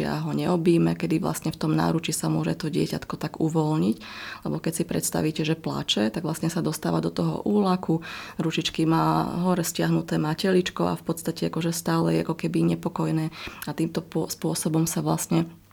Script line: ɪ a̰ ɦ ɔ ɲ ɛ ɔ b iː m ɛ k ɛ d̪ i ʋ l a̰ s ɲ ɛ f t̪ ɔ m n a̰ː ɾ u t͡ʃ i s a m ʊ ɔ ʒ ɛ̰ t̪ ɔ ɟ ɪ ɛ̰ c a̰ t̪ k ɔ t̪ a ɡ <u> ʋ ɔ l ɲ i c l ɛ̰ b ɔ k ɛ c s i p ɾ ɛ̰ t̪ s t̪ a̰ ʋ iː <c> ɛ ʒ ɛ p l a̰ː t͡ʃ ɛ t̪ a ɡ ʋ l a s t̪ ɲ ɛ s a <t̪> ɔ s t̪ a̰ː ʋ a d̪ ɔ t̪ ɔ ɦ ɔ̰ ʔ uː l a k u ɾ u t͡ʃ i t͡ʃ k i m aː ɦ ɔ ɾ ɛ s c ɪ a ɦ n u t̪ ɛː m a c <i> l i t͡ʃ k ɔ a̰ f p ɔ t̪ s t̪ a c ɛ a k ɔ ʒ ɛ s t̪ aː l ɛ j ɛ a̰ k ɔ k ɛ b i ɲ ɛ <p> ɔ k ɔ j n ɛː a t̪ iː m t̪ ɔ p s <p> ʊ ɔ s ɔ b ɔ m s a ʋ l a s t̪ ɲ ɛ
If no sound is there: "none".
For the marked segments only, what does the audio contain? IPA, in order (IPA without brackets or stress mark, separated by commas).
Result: u, c, d̪, ɛ, p, p